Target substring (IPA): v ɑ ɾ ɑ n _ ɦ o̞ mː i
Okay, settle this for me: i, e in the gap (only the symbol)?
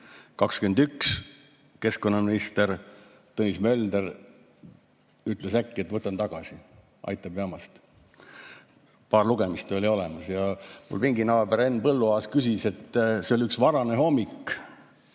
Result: e